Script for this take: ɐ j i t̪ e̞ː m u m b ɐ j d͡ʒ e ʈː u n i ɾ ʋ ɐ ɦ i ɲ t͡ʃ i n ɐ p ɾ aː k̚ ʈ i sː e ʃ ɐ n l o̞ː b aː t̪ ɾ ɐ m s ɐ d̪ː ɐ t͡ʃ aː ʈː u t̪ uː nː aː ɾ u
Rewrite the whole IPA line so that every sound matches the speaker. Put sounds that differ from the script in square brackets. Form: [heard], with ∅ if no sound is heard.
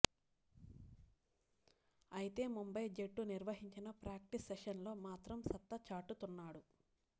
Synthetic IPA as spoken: ɐ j i t̪ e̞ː m u m b ɐ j d͡ʒ e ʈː u n i ɾ ʋ ɐ ɦ i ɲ t͡ʃ i n ɐ p ɾ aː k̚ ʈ i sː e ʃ ɐ n l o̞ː [m] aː t̪ ɾ ɐ m s ɐ [t̪ː] ɐ t͡ʃ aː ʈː u t̪ [u] nː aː [ɽ] u

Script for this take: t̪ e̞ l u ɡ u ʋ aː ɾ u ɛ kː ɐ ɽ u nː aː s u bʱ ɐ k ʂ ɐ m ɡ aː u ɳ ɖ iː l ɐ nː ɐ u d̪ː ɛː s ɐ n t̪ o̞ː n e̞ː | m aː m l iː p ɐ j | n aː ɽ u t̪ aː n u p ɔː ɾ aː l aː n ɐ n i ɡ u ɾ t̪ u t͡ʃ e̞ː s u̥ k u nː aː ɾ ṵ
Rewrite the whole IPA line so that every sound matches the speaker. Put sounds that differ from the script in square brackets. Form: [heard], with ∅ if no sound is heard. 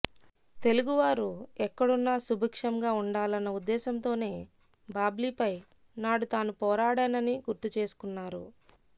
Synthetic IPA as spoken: t̪ e̞ l u ɡ u ʋ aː ɾ u ɛ kː ɐ ɽ u nː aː s u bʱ ɐ k ʂ ɐ m ɡ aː u ɳ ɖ [aː] l ɐ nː ɐ u d̪ː ɛː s ɐ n t̪ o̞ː n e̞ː | [b] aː [b] l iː p ɐ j | n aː ɽ u t̪ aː n u p ɔː ɾ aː [ɽ] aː n ɐ n i ɡ u ɾ t̪ u t͡ʃ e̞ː s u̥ k u nː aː ɾ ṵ

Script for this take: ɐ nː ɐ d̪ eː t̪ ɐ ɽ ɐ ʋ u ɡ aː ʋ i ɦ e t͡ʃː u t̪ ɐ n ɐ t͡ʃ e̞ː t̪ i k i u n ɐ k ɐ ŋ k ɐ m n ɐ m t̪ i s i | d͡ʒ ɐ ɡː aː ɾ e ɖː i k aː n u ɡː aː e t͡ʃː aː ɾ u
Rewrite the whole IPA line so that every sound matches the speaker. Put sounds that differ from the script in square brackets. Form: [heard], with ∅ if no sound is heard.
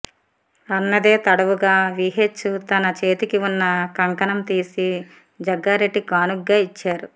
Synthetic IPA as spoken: ɐ nː ɐ d̪ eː t̪ ɐ ɽ ɐ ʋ u ɡ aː ʋ i ɦ e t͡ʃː u t̪ ɐ n ɐ t͡ʃ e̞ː t̪ i k i u [nː] ɐ k ɐ ŋ k ɐ [∅] n ɐ m t̪ [iː] s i | d͡ʒ ɐ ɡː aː ɾ e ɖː i k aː n u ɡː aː [i] t͡ʃː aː ɾ u

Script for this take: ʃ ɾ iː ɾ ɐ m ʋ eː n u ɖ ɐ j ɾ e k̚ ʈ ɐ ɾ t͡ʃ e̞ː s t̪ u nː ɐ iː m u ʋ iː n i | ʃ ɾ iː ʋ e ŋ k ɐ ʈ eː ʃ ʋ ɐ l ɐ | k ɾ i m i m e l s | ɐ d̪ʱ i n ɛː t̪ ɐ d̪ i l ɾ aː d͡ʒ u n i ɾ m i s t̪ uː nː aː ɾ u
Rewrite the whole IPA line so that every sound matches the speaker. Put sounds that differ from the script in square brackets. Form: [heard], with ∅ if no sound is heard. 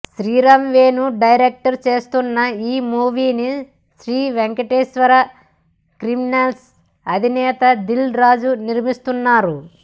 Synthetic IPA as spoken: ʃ ɾ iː ɾ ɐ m ʋ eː n u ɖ ɐ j ɾ e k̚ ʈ ɐ ɾ t͡ʃ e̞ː s t̪ u nː ɐ iː m [uː] ʋ iː n i | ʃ ɾ iː ʋ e ŋ k ɐ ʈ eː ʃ ʋ ɐ [ɾ] ɐ | k ɾ i m i [n] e l s | ɐ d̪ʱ i n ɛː t̪ ɐ d̪ i l ɾ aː d͡ʒ u n i ɾ m i s t̪ [u] nː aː ɾ u

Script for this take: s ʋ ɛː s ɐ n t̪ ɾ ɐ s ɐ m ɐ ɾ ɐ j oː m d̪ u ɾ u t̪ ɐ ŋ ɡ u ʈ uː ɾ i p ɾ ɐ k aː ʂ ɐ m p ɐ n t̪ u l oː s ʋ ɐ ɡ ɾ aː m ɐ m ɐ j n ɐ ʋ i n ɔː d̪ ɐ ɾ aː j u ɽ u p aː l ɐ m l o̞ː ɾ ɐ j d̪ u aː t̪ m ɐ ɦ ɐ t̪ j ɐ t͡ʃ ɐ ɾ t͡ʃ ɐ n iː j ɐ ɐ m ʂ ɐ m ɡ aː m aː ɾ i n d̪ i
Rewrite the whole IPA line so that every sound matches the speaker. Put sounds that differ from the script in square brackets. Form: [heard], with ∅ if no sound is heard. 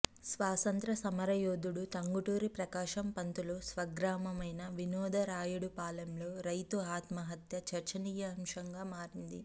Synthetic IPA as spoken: s ʋ [aː] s ɐ n t̪ ɾ ɐ s ɐ m ɐ ɾ ɐ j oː [∅] d̪ u [ɽ] u t̪ ɐ ŋ ɡ u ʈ uː ɾ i p ɾ ɐ k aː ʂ ɐ m p ɐ n t̪ u l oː s ʋ ɐ ɡ ɾ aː m ɐ m ɐ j n ɐ ʋ i n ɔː d̪ ɐ ɾ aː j u ɽ u p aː l ɐ m l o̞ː ɾ ɐ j [t̪] u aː t̪ m ɐ ɦ ɐ t̪ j ɐ t͡ʃ ɐ ɾ t͡ʃ ɐ n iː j ɐ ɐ m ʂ ɐ [ŋ] ɡ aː m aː ɾ i n d̪ i

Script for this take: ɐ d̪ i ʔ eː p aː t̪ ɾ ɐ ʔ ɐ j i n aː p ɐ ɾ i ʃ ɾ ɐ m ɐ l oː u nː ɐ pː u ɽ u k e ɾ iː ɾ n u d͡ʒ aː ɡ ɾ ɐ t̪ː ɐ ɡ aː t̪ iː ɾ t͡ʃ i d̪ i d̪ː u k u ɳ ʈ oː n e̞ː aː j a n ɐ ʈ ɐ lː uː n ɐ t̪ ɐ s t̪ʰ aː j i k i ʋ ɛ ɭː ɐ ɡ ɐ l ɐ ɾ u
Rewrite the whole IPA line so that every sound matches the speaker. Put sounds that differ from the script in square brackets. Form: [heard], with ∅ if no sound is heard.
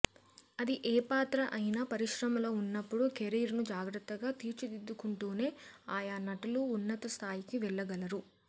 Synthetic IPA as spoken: ɐ d̪ i ʔ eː p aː t̪ ɾ ɐ ʔ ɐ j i n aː p ɐ ɾ i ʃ ɾ ɐ m ɐ l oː u nː ɐ pː u ɽ u k e ɾ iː ɾ n u d͡ʒ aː ɡ ɾ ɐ t̪ː ɐ ɡ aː t̪ iː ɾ t͡ʃ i d̪ i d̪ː u k u ɳ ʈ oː n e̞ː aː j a n ɐ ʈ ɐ [l] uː [nː] ɐ t̪ ɐ s t̪ʰ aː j i k i ʋ ɛ ɭː ɐ ɡ ɐ l ɐ ɾ u

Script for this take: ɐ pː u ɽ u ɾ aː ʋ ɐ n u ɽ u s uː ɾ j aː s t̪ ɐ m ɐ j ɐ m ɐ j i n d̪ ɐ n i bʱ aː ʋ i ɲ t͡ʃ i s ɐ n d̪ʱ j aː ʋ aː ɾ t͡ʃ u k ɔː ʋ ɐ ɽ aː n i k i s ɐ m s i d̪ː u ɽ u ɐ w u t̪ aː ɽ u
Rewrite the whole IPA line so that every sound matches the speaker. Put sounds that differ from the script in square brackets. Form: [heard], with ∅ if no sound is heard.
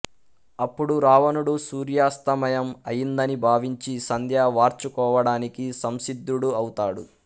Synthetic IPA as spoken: ɐ pː u ɽ u ɾ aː ʋ ɐ n u ɽ u s uː ɾ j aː s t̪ ɐ m ɐ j ɐ m ɐ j i n d̪ ɐ n i bʱ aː ʋ i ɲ t͡ʃ i s ɐ n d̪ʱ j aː ʋ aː ɾ t͡ʃ u k ɔː ʋ ɐ ɽ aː n i k i s ɐ m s i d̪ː u ɽ u ɐ w u t̪ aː ɽ u

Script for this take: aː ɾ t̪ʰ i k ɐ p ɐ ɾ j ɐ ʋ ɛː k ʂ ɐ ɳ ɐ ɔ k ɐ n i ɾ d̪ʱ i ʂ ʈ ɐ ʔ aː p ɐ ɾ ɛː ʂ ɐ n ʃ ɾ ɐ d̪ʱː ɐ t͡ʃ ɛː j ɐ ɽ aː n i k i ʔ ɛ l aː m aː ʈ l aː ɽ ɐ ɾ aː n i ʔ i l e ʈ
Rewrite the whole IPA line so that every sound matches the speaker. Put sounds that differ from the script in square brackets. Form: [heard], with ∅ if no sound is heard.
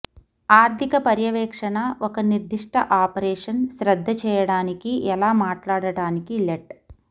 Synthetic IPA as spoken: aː ɾ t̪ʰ i k ɐ p ɐ ɾ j ɐ ʋ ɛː k ʂ ɐ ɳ ɐ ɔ k ɐ n i ɾ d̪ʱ i ʂ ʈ ɐ ʔ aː p ɐ ɾ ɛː ʂ ɐ n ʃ ɾ ɐ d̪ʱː ɐ t͡ʃ ɛː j ɐ ɽ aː n i k i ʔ ɛ l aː m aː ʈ l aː ɽ ɐ [ɽ] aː n i [k] i l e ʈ

